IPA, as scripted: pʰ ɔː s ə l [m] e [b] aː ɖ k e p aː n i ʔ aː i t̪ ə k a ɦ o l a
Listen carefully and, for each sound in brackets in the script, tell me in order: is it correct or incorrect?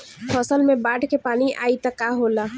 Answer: correct, correct

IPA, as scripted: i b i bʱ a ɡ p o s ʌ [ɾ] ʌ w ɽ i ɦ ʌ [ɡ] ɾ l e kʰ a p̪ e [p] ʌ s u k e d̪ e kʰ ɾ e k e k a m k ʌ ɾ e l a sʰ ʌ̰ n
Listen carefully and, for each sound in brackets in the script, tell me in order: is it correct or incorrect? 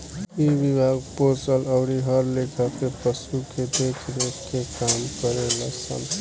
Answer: incorrect, incorrect, correct

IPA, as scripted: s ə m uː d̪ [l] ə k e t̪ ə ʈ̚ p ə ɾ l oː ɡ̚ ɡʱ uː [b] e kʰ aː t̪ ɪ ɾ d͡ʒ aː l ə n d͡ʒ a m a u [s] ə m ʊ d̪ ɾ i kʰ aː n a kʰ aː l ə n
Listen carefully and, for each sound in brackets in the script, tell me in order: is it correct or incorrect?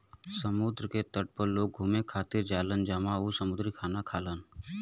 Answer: incorrect, incorrect, correct

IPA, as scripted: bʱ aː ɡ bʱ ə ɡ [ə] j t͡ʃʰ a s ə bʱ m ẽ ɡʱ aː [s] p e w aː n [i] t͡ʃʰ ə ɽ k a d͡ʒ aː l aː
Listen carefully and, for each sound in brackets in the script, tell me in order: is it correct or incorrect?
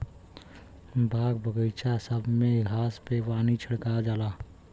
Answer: correct, correct, correct

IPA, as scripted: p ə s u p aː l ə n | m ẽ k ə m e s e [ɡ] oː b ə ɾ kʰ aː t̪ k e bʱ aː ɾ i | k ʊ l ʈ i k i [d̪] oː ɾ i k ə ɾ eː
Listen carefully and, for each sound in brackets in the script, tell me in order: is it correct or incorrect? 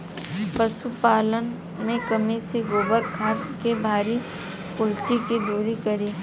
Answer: correct, correct

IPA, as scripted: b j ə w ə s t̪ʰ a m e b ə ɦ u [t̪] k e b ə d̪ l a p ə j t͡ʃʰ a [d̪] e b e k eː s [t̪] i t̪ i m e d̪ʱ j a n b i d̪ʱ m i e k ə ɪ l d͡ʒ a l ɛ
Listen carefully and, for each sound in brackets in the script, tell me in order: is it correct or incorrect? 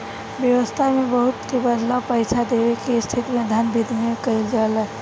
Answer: correct, correct, incorrect

